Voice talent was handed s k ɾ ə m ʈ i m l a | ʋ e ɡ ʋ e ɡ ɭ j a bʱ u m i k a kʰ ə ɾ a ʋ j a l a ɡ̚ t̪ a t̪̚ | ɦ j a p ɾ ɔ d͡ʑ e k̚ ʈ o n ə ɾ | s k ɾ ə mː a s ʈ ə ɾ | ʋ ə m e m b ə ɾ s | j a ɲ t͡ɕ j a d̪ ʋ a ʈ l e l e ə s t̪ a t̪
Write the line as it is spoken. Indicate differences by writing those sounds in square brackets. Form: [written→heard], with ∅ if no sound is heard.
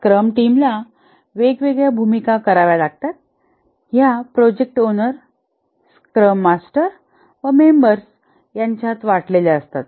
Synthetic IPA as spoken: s k ɾ ə m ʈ i m l a | ʋ e ɡ ʋ e ɡ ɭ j a bʱ u m i k a [kʰ→k] ə ɾ a ʋ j a l a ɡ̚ t̪ a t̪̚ | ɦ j a p ɾ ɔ d͡ʑ e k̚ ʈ o n ə ɾ | s k ɾ ə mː a s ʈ ə ɾ | ʋ ə m e m b ə ɾ s | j a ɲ t͡ɕ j a [d̪→t̪] ʋ a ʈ l e l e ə s t̪ a t̪